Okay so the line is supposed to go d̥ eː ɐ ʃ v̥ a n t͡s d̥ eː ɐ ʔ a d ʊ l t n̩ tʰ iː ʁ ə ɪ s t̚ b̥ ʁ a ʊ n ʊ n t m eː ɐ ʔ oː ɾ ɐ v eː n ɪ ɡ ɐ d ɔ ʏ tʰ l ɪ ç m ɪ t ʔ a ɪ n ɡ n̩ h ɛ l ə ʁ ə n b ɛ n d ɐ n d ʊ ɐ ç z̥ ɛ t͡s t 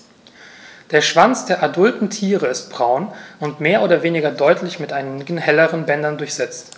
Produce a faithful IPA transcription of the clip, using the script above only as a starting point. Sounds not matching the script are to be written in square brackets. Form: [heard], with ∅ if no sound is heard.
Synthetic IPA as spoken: d̥ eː ɐ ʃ v̥ a n t͡s d̥ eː ɐ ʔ a d ʊ l t n̩ tʰ iː ʁ ə ɪ s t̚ b̥ ʁ a ʊ n ʊ n t m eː ɐ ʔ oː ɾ ɐ v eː n ɪ ɡ ɐ d ɔ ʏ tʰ l ɪ ç m ɪ t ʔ a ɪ n ɡ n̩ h ɛ l ə ʁ ə n b ɛ n d ɐ n d ʊ ɐ ç z̥ ɛ t͡s t